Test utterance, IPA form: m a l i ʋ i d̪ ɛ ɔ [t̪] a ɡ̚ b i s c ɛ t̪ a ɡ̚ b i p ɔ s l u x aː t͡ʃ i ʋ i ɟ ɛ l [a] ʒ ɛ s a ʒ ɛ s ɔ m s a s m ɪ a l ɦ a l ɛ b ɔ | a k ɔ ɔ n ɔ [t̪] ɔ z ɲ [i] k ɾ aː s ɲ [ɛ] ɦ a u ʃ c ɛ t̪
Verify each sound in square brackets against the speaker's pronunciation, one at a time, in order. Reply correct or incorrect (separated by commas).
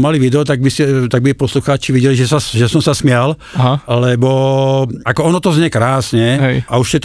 correct, incorrect, correct, incorrect, correct